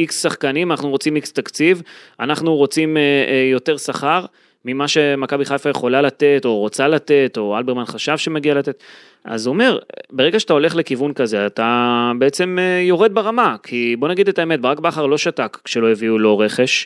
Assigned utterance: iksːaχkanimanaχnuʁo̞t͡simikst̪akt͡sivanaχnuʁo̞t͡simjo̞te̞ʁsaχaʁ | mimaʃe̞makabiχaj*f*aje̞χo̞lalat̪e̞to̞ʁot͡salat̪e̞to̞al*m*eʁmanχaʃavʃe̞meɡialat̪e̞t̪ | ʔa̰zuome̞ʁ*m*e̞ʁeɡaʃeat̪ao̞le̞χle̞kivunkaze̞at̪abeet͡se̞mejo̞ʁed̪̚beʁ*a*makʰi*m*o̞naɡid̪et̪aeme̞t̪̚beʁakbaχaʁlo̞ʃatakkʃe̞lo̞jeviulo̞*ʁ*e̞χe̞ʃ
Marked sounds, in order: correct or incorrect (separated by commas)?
correct, incorrect, incorrect, correct, incorrect, correct